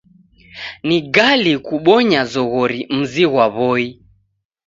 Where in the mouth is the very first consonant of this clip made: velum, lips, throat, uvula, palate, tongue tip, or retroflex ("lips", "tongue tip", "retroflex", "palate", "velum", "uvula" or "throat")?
tongue tip